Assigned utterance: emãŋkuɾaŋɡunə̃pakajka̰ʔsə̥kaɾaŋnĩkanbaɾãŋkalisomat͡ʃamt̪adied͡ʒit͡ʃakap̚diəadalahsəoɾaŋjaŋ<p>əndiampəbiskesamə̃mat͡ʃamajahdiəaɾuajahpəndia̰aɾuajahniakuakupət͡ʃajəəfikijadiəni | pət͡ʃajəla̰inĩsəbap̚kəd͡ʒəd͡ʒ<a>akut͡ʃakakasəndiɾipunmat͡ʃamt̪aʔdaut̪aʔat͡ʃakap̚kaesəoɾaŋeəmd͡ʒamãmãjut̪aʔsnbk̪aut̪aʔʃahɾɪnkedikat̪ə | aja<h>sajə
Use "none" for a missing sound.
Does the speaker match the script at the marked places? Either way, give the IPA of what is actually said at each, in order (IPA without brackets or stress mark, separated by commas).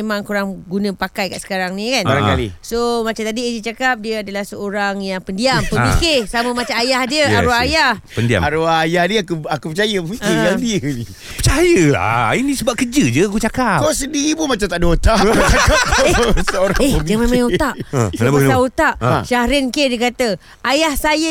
p, ə, h